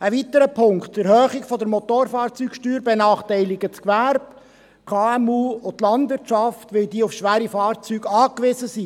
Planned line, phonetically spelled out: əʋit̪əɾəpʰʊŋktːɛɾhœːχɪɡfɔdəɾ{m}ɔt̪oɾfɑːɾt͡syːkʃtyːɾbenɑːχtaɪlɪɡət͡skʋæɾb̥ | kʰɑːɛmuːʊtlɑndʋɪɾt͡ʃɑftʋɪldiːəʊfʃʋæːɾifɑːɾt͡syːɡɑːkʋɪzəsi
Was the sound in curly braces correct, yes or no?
yes